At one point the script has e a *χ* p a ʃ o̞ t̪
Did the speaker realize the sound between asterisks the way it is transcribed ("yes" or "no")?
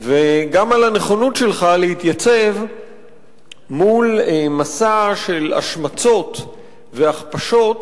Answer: yes